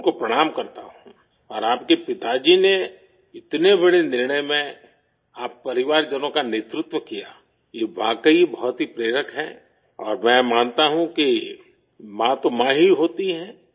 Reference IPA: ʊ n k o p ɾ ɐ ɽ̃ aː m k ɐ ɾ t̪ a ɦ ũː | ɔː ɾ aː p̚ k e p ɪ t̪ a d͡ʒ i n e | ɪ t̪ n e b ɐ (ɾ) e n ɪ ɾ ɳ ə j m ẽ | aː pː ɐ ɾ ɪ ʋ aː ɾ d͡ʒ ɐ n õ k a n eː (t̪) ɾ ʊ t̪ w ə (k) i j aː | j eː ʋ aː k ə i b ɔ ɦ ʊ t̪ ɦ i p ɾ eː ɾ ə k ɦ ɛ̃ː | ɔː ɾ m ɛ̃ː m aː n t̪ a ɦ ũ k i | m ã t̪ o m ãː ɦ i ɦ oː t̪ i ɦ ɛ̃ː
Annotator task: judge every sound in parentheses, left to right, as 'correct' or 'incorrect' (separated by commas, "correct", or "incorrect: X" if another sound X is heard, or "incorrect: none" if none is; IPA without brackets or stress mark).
incorrect: ɽ, correct, correct